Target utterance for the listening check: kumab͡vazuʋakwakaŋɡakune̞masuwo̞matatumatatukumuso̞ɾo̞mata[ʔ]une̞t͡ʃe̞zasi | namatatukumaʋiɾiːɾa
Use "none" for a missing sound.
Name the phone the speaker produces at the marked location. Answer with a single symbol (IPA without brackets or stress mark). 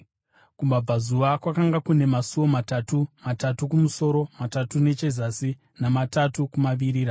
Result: t